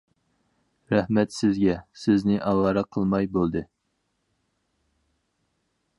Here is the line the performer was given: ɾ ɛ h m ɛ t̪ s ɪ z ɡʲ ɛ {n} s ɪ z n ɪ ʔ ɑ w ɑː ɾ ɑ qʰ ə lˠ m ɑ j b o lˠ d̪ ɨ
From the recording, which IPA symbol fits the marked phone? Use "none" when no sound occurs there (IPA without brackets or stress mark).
none